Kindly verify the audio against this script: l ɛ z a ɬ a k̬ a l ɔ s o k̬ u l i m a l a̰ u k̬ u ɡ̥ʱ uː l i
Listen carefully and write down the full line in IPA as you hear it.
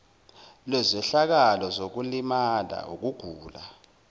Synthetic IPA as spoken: l ɛ z ɛ ɬ a k̬ a l ɔ z o k̬ u l i m a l a̰ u k̬ u ɡ̥ʱ uː l a